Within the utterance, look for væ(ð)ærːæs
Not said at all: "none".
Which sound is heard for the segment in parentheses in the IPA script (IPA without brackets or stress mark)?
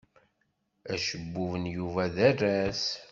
ð